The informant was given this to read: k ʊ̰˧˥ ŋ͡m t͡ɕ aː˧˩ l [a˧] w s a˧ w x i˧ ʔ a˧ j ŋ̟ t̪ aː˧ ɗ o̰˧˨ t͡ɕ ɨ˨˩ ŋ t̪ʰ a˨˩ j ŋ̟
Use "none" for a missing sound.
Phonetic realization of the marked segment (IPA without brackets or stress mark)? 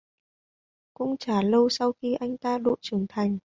ə˧